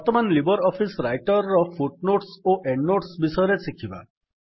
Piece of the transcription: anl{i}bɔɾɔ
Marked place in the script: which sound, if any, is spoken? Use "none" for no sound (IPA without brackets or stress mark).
i